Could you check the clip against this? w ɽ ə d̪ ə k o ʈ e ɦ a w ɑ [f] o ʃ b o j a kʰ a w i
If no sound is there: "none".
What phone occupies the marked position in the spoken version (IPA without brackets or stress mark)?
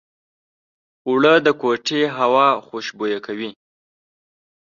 x